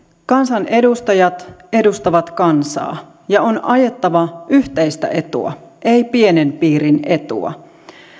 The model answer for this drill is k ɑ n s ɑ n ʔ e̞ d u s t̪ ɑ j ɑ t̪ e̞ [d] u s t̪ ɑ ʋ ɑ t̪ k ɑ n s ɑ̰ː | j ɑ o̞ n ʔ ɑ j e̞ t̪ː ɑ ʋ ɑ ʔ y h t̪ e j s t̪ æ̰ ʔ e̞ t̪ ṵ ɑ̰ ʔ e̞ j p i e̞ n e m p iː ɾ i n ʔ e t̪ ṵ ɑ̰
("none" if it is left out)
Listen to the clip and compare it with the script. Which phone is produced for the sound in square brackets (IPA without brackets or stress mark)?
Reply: d